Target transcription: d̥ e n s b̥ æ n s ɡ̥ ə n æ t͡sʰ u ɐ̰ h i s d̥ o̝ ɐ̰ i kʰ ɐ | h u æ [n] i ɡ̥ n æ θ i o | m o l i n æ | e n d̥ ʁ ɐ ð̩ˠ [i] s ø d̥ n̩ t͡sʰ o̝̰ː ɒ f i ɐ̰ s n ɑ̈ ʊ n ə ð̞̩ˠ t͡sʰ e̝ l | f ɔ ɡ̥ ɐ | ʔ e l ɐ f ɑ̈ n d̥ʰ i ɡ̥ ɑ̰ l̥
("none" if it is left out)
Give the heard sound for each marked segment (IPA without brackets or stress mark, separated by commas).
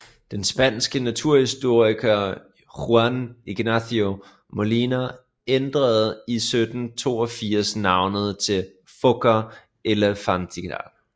n, i